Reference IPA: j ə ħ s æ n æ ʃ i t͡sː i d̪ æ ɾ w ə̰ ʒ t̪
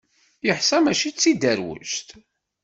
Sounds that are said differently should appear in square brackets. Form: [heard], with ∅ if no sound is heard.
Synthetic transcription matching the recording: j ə ħ s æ [m] æ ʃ i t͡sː i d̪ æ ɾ w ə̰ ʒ t̪